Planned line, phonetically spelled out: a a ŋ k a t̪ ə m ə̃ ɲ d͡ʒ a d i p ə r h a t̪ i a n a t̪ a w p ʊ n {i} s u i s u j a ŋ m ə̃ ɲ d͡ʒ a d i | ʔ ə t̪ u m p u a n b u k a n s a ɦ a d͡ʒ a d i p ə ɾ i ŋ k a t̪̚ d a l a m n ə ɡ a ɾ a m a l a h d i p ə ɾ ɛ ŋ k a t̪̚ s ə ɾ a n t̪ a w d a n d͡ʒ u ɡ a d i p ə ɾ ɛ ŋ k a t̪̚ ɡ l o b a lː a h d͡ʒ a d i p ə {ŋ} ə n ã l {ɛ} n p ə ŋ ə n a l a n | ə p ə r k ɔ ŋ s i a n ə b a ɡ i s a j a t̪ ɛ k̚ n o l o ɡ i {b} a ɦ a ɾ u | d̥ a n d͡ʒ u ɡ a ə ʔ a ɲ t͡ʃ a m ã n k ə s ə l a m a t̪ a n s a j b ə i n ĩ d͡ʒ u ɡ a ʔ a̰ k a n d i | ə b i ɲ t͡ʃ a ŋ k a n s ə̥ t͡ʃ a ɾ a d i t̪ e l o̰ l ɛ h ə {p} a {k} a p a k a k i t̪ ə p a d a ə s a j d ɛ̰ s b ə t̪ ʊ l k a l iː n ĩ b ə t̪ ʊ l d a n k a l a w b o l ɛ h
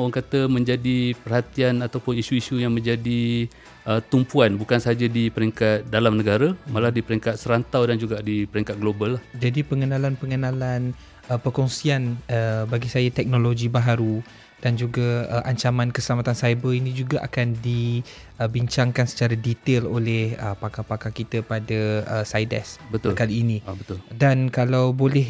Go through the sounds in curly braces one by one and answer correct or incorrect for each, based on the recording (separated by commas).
correct, correct, incorrect, correct, correct, correct